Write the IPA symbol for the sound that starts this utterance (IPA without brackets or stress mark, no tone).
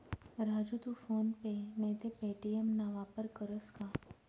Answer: ɾ